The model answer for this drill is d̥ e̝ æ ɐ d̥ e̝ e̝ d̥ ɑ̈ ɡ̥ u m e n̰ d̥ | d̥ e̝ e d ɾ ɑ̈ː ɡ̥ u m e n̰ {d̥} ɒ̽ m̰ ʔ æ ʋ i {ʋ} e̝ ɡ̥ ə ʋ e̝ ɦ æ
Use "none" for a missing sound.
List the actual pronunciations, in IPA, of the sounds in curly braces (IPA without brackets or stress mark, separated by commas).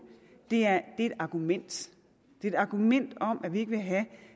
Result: d̥, none